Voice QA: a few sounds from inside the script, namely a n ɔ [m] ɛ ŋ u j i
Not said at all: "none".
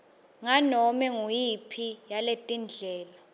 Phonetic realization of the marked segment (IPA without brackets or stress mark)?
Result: m